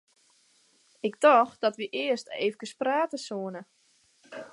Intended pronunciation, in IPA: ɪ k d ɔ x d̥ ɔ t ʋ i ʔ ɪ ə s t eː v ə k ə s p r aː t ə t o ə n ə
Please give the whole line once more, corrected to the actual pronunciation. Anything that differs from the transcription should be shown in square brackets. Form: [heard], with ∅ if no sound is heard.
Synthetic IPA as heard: ɪ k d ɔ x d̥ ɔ t ʋ i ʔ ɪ ə s t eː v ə k ə s p r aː t ə [s] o ə n ə